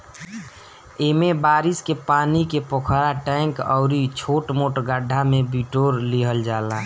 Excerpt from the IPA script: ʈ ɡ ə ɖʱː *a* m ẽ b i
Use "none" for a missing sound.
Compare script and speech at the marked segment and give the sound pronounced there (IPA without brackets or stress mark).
a